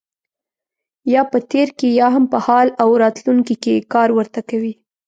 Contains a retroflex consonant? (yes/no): no